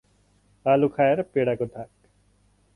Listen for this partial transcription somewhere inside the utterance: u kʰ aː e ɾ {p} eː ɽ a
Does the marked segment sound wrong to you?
no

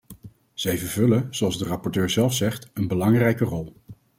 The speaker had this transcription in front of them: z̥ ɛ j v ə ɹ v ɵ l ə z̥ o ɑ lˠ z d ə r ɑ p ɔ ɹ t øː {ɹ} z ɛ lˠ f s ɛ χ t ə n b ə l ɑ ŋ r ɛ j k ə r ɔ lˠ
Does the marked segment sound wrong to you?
no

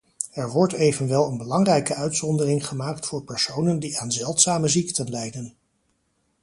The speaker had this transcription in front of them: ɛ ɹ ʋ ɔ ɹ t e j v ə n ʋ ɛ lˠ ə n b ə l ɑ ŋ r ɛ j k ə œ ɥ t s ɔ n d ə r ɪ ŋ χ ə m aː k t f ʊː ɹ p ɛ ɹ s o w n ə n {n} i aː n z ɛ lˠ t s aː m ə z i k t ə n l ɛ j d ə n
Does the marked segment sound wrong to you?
yes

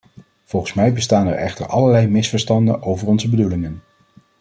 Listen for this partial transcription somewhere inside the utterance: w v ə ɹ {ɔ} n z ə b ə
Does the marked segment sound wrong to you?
no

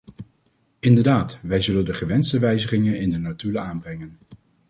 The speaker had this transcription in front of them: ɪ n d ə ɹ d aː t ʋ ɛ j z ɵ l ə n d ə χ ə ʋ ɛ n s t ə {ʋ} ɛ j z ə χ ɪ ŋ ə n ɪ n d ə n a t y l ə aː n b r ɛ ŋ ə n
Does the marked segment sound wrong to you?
no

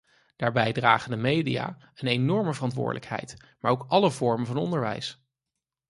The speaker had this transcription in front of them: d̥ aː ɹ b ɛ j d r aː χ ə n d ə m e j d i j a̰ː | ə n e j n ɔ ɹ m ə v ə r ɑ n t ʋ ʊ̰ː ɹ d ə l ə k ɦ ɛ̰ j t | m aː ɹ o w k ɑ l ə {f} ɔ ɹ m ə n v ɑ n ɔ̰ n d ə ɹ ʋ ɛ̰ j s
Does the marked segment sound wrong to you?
yes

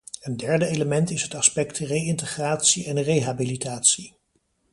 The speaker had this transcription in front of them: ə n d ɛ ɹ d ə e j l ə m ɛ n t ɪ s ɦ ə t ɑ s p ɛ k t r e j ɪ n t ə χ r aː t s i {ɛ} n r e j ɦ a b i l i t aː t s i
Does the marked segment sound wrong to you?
no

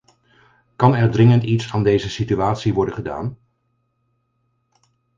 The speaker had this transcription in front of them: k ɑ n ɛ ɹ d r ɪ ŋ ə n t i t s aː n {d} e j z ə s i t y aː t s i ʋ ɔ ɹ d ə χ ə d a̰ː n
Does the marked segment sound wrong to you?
no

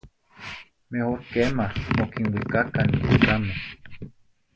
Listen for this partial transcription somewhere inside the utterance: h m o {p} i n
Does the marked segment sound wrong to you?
yes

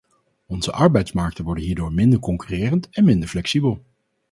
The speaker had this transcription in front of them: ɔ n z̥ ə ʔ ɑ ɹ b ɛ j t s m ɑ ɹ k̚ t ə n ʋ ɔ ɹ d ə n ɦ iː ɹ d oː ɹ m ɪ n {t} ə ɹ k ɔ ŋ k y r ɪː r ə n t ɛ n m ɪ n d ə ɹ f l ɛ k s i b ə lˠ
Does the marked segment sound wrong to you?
yes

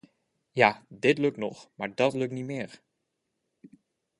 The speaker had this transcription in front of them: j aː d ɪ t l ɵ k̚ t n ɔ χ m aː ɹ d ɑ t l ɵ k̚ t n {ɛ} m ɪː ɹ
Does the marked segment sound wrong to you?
yes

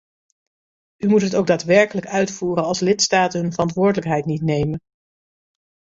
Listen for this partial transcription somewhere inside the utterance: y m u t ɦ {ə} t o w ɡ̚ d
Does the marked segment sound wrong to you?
no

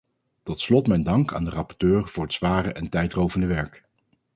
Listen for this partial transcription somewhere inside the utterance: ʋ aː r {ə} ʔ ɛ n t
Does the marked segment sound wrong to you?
no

